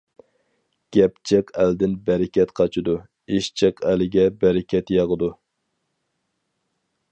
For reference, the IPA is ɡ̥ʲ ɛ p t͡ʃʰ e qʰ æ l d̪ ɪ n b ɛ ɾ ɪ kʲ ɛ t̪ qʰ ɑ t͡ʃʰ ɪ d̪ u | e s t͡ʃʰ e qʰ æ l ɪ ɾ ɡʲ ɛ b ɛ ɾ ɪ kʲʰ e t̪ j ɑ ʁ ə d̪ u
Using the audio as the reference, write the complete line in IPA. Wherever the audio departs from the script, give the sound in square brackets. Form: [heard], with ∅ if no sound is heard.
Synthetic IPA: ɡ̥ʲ ɛ p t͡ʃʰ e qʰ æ l d̪ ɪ n b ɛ ɾ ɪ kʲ ɛ t̪ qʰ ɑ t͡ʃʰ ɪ d̪ u | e [ʃ] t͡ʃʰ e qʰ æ l ɪ [∅] ɡʲ ɛ b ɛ ɾ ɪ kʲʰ [ɛ] t̪ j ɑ ʁ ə d̪ u